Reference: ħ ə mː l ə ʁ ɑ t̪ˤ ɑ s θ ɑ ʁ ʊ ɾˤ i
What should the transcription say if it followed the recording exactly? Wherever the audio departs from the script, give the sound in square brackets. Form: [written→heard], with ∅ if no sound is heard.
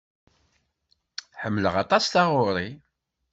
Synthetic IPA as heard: ħ ə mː l ə ʁ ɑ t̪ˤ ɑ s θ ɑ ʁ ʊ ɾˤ i